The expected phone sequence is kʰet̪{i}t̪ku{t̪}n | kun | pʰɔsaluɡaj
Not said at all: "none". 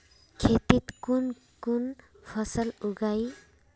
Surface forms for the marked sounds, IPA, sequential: i, none

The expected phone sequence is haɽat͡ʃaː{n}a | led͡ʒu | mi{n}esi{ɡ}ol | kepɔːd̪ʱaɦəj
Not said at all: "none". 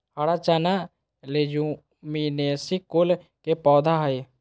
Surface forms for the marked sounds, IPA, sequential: n, n, k

